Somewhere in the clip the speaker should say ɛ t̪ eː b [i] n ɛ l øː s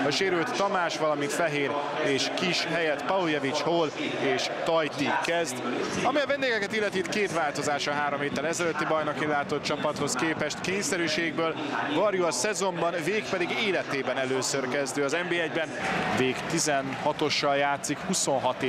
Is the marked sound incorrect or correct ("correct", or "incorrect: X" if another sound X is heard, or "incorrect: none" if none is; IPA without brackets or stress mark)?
incorrect: ɛ